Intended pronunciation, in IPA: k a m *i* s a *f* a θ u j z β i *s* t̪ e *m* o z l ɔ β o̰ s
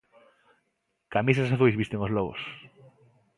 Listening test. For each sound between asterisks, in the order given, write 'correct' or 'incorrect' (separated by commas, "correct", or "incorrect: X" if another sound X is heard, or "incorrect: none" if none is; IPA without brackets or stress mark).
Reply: correct, incorrect: s, correct, incorrect: ŋ